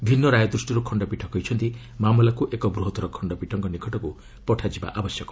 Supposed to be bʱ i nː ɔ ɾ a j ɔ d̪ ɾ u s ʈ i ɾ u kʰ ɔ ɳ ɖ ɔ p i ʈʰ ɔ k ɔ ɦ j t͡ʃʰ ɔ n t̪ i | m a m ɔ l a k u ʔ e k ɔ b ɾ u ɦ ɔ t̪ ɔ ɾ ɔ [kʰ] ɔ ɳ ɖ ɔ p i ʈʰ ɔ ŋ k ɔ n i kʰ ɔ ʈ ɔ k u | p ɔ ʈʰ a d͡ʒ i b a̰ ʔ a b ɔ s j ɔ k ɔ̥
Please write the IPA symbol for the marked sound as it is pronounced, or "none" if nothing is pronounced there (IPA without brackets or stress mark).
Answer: kʰ